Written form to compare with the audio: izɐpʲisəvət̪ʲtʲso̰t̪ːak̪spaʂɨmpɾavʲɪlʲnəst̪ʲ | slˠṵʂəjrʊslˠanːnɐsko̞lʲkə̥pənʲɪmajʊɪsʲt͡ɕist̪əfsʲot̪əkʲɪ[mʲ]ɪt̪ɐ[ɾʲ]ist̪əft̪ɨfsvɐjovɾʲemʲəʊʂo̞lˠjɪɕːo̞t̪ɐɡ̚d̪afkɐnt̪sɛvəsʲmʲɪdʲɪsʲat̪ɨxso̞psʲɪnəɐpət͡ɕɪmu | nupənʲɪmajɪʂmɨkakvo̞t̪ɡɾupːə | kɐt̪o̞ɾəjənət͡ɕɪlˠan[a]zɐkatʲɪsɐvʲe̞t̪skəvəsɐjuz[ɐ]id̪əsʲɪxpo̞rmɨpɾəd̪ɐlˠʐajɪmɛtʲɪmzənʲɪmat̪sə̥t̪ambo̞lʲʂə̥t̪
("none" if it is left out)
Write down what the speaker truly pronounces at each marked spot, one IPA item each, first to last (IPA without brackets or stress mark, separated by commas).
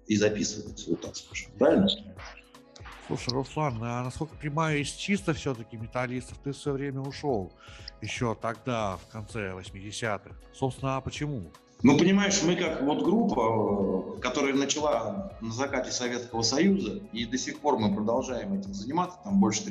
mʲ, lʲ, ə, ə